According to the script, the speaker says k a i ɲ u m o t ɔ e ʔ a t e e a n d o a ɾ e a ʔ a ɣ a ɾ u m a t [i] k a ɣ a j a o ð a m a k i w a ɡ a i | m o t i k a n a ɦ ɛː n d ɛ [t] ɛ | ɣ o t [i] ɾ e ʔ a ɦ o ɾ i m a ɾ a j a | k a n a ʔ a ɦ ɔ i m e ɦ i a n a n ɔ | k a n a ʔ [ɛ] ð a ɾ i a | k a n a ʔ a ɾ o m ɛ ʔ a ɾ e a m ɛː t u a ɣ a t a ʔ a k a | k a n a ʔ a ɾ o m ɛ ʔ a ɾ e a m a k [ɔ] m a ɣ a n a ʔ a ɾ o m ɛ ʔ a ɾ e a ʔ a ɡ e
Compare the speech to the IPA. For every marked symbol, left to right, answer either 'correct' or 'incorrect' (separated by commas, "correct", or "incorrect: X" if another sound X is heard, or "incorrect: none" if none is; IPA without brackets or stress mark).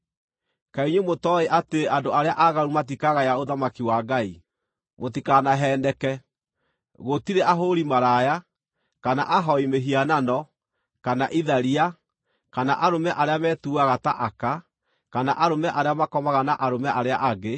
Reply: correct, incorrect: k, correct, incorrect: i, correct